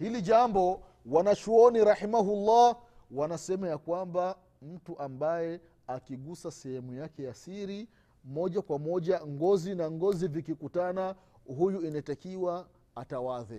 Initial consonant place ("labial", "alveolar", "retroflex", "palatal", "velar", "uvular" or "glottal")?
glottal